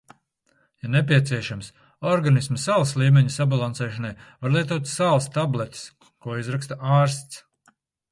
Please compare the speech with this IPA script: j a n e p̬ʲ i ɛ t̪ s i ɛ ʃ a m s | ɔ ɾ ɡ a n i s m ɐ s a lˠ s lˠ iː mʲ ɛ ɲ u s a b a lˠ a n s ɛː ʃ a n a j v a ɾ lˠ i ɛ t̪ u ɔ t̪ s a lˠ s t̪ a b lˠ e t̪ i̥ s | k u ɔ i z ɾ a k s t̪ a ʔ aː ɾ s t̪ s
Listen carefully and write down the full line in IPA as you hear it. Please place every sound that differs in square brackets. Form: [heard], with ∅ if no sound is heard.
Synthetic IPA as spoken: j a n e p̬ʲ i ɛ t̪ s i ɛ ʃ a m s | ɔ ɾ ɡ a n i s m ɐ s a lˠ s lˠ iː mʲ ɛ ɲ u s a b a lˠ a n s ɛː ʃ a n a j v a ɾ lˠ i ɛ t̪ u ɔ t̪ s a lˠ s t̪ a b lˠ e t̪ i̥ s | k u ɔ i z ɾ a k s t̪ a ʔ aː ɾ s t̪ s